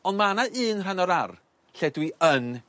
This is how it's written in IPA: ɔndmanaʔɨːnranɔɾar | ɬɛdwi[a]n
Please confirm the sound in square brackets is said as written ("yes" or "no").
no